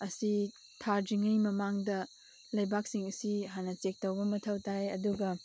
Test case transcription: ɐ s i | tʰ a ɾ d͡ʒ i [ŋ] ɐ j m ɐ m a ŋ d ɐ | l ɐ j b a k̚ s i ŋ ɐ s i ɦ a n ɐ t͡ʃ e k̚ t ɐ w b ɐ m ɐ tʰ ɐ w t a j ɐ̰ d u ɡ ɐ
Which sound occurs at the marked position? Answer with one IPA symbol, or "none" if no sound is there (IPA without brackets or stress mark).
ŋ